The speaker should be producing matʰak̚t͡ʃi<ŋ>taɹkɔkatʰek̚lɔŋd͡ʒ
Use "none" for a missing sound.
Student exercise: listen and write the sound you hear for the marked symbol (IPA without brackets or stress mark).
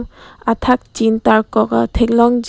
n